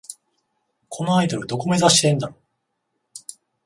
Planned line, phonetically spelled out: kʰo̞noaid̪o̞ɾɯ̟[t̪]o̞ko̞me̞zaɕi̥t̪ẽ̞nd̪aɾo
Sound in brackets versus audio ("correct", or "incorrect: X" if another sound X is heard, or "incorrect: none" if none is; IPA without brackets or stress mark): incorrect: d̪